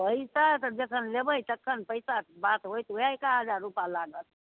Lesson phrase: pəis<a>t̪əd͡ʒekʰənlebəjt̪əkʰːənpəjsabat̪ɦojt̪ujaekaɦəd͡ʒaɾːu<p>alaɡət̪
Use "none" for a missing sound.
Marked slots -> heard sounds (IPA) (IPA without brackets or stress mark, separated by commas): a, p